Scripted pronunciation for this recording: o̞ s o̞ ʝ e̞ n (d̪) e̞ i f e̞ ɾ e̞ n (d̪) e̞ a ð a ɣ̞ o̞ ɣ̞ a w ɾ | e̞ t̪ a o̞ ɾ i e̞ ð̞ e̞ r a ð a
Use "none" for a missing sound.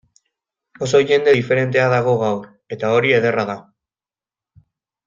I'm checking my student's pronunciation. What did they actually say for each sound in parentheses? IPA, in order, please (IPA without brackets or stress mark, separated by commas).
d̪, t̪